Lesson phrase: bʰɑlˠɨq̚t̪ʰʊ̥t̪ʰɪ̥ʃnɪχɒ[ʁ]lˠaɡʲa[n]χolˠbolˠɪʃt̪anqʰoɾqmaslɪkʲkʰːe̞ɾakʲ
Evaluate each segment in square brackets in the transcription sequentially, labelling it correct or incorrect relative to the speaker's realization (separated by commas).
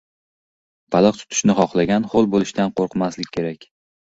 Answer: incorrect, correct